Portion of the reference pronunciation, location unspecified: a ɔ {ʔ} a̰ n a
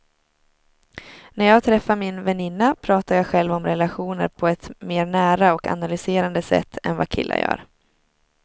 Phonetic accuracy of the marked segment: incorrect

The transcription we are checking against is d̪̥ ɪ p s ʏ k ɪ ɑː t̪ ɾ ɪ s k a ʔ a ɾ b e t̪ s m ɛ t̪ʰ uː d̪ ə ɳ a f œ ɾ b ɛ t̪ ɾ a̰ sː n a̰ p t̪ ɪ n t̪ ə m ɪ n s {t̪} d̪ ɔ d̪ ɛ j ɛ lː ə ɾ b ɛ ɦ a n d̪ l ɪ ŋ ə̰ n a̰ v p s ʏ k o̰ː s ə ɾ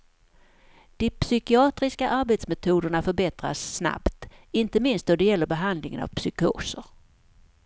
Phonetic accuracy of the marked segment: correct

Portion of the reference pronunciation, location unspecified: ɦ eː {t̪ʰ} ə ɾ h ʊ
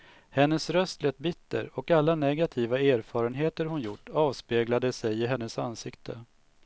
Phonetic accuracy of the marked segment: incorrect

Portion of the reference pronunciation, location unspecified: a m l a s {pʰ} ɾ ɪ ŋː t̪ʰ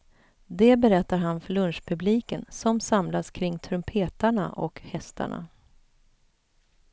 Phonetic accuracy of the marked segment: incorrect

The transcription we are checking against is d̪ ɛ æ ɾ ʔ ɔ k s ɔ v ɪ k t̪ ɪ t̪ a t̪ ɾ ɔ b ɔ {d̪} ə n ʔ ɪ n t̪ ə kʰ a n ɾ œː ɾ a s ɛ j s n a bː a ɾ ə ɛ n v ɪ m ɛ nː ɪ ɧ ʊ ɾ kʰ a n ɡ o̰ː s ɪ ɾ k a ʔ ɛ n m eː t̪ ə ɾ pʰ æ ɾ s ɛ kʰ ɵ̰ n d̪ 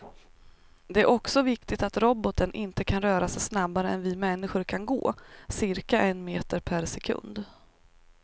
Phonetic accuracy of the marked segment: incorrect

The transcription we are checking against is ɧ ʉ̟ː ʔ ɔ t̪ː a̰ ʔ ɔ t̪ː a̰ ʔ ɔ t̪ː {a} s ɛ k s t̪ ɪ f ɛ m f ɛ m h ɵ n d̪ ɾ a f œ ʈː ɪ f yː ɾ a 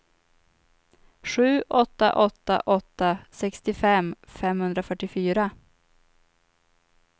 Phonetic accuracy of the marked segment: correct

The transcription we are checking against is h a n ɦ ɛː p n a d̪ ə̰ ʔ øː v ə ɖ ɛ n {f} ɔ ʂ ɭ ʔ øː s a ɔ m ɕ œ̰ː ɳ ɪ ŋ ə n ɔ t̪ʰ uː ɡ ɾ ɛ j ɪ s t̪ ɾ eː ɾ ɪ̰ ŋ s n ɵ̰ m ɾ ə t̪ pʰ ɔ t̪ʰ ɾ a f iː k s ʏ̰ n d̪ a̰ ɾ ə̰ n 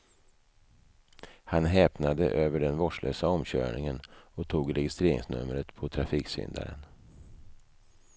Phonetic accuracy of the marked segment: incorrect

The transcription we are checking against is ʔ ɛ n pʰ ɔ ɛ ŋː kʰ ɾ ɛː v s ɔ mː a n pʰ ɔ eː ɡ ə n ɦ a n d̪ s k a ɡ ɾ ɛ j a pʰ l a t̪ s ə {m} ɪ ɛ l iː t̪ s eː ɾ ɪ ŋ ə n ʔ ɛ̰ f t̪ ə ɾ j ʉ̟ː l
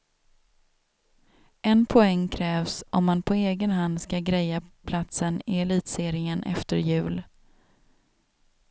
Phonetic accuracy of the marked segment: incorrect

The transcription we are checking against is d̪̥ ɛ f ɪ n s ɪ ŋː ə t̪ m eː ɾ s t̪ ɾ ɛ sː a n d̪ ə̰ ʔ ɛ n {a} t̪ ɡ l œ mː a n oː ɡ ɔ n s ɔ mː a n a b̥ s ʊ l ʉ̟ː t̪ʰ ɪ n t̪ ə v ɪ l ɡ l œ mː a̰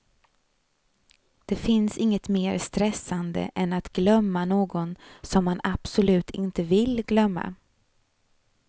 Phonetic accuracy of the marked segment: correct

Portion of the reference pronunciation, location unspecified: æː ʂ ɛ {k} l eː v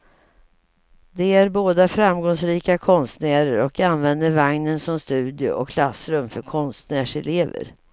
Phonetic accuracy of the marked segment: incorrect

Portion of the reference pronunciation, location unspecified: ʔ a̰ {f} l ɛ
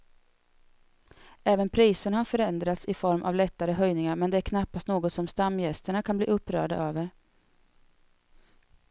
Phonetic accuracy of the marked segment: incorrect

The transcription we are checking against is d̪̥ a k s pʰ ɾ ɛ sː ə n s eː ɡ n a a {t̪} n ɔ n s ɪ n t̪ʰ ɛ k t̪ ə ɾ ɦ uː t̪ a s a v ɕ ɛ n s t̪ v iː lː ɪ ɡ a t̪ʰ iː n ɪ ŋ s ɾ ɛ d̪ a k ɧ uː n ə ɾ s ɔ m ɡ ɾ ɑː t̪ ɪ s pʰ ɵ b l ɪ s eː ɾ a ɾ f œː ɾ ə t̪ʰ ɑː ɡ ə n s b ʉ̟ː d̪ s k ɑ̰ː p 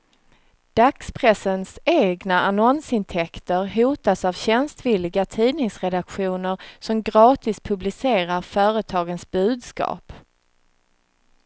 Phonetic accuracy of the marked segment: incorrect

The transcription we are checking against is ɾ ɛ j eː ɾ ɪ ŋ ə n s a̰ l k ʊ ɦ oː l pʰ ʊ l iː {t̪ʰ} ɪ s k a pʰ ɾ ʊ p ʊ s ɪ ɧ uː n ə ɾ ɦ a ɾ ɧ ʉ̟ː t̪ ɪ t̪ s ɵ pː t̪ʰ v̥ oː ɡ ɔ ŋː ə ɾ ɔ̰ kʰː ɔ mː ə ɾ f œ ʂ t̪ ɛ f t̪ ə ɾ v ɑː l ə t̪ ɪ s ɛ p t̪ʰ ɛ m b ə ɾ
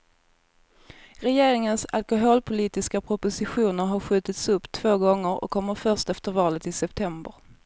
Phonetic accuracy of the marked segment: incorrect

